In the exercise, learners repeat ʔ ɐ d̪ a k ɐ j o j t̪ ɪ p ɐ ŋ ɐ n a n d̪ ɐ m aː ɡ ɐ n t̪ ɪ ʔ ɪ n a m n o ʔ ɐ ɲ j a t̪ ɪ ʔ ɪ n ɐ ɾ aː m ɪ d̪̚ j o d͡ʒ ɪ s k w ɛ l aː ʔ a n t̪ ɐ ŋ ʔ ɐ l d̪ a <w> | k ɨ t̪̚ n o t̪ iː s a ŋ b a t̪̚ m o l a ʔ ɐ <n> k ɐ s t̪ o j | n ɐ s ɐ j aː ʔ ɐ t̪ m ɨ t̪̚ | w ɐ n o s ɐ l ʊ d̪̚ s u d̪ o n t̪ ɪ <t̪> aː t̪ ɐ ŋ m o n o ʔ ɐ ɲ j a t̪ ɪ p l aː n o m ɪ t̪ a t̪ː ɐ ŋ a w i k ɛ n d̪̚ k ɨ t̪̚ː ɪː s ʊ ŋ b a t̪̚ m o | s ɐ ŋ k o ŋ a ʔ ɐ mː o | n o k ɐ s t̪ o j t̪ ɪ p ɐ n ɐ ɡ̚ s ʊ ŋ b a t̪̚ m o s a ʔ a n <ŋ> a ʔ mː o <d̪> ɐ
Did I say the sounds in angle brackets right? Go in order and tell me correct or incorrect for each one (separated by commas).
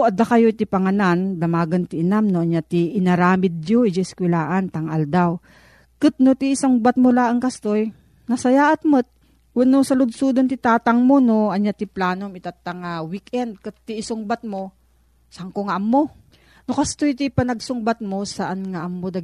correct, incorrect, correct, correct, correct